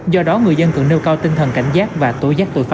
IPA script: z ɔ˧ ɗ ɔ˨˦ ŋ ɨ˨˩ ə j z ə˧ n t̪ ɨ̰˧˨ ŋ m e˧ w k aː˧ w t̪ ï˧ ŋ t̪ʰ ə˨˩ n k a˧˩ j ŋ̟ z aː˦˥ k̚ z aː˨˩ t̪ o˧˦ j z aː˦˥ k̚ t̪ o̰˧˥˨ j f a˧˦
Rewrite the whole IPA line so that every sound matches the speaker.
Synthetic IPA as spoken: z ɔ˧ ɗ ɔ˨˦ ŋ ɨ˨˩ ə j z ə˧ n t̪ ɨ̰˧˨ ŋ n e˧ w k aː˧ w t̪ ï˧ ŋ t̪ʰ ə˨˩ n k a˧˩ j ŋ̟ z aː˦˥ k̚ v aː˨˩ t̪ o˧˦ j z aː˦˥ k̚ t̪ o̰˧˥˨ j f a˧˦